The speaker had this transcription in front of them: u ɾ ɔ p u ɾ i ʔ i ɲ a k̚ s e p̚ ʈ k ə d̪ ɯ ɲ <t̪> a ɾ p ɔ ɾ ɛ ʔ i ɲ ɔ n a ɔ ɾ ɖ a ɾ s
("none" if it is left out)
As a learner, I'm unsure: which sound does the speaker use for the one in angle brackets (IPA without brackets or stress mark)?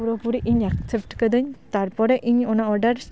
t̪